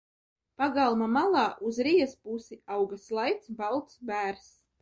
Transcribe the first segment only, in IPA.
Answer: p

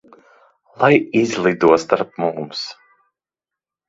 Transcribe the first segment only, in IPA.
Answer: lˠ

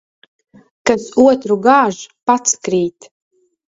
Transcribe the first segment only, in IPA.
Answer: k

